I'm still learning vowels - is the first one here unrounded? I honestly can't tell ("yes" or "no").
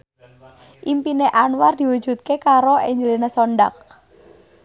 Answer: yes